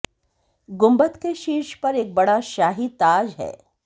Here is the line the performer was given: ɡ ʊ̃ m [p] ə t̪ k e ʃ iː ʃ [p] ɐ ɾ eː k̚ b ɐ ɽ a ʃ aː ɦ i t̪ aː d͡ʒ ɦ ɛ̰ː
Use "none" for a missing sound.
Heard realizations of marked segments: b, p

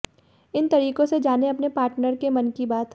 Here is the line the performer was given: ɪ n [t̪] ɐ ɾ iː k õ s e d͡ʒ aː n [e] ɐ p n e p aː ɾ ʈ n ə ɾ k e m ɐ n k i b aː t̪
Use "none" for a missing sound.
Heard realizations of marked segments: t̪, e

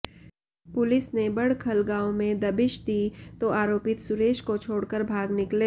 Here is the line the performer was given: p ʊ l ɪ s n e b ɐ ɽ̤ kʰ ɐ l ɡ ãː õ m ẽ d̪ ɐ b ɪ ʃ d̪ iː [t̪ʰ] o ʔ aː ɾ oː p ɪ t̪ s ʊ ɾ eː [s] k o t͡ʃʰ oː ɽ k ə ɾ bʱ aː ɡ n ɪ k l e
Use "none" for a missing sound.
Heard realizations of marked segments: t̪, ʃ

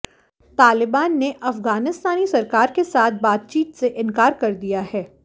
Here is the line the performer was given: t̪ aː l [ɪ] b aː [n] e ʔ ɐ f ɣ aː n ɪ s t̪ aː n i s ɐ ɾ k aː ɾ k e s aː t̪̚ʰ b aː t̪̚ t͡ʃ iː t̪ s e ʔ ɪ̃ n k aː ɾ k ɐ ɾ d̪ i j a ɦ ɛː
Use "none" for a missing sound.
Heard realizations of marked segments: ɪ, nː

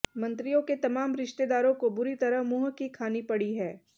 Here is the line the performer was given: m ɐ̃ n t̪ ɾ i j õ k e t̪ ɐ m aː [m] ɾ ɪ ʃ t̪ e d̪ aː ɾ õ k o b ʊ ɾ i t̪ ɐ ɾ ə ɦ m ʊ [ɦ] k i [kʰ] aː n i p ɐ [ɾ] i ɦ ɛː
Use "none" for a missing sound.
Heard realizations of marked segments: m, ɦ, kʰ, ɽ

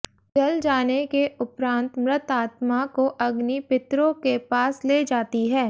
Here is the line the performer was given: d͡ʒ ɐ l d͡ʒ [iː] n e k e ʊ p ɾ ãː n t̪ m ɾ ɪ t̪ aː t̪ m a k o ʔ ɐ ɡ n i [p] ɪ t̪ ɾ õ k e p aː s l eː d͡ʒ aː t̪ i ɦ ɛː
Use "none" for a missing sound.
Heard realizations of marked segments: aː, p

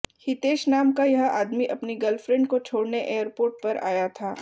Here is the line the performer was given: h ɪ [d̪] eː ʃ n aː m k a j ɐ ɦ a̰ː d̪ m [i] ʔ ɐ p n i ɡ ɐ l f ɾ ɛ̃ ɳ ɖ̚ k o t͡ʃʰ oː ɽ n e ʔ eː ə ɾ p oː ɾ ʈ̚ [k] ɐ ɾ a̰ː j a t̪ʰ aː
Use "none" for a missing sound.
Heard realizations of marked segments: t̪, i, p

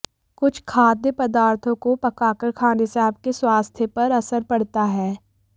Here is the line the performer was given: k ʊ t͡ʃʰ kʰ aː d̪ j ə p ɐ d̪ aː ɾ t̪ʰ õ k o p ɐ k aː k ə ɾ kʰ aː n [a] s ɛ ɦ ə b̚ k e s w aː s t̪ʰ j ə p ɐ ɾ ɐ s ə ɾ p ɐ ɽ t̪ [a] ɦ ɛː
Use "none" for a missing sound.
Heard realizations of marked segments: e, a

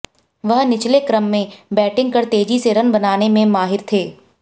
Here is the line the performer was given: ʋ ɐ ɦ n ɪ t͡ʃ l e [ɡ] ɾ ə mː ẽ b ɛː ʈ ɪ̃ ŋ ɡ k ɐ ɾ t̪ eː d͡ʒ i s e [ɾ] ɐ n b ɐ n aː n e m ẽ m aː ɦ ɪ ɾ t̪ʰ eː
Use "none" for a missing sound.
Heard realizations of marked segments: k, ɾ

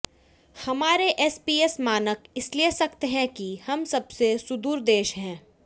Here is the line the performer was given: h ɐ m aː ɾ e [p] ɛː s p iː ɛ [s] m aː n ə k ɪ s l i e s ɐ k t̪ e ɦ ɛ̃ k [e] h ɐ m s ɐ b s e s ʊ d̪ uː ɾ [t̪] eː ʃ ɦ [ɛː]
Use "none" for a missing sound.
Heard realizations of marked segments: ʔ, s, i, d̪, ɛ̃ː

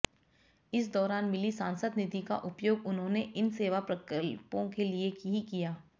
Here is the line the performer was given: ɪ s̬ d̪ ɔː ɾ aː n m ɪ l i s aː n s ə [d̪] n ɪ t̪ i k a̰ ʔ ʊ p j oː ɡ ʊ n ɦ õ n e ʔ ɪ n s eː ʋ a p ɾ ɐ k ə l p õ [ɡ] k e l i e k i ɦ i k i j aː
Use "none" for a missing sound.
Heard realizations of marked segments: d̪, none

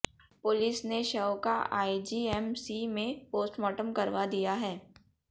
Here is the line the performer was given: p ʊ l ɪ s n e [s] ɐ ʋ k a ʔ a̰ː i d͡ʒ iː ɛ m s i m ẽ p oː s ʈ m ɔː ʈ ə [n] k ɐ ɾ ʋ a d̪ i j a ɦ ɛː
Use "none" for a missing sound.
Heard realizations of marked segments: ʃ, m

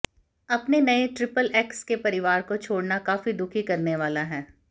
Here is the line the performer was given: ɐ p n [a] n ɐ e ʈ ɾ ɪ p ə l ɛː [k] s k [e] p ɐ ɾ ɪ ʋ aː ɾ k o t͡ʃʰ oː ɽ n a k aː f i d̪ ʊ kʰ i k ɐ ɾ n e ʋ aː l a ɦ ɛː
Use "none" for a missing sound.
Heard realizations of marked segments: e, k, e

